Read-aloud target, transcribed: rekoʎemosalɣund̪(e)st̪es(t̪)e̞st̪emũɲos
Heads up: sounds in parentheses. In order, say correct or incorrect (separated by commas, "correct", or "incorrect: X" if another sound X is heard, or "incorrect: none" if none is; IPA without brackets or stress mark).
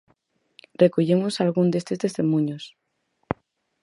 correct, correct